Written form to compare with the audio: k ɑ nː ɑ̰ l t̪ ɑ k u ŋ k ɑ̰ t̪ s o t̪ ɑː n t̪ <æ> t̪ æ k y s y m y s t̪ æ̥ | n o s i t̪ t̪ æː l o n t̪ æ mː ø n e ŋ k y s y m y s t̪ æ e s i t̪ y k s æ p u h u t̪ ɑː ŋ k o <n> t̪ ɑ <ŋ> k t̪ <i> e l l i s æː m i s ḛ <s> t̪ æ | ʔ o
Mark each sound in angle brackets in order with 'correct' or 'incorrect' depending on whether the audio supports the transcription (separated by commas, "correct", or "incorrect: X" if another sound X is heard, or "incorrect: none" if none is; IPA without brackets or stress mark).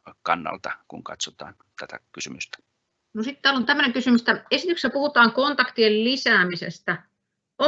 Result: correct, correct, incorrect: none, correct, correct